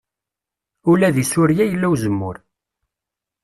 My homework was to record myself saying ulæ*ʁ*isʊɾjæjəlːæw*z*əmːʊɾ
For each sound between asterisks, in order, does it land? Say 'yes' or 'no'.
no, yes

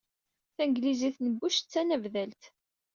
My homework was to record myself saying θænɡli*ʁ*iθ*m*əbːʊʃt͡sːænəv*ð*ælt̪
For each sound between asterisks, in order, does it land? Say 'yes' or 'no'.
no, no, yes

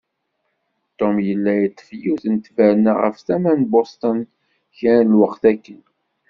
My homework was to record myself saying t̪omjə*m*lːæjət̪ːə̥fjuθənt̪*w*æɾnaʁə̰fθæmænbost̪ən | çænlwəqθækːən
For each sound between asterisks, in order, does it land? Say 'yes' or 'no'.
no, no

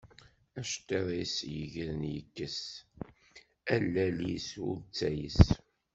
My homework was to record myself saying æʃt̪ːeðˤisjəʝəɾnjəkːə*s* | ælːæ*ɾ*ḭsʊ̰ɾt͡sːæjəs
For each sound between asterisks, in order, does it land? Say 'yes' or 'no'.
yes, no

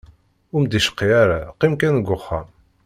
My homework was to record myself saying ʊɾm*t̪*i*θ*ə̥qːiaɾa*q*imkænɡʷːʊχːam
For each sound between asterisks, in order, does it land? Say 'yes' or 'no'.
no, no, yes

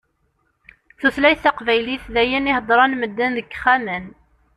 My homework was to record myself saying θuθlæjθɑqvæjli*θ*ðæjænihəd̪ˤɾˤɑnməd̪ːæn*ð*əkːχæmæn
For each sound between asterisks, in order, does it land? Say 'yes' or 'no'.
yes, yes

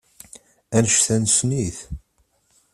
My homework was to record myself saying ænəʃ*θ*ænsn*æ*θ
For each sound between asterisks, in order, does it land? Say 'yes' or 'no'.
yes, no

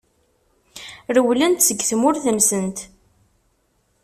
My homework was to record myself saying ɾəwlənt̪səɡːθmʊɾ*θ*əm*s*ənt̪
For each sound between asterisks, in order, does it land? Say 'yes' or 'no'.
yes, yes

